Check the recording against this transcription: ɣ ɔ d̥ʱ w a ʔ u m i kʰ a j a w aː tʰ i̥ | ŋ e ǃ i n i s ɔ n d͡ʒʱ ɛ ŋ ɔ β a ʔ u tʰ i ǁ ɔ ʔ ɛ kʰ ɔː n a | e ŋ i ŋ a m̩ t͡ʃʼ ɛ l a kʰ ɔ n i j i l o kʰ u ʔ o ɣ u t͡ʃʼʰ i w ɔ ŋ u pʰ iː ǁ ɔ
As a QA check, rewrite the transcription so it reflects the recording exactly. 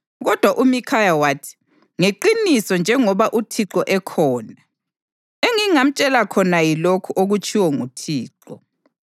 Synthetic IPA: ɣ ɔ d̥ʱ w a ʔ u m i kʰ a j a w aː tʰ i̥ | ŋ e ǃ i n i s ɔ n d͡ʒʱ ɛ ŋ ɔ β a ʔ u tʰ i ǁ ɔ ʔ ɛ kʰ ɔː n a | e ŋ i ŋ a m̩ t͡ʃʼ ɛ l a kʰ ɔ n a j i l o kʰ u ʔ o ɣ u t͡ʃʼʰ i w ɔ ŋ u tʰ iː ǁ ɔ